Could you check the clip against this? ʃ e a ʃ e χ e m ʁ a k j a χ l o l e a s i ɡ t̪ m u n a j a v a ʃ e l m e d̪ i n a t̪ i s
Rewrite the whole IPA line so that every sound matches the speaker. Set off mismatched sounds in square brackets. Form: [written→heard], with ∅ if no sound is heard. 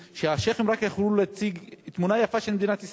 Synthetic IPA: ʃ e a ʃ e χ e m ʁ a k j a χ l [o→u] l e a [s→t͡s] i ɡ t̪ m u n a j a [v→f] a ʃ e l m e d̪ i n a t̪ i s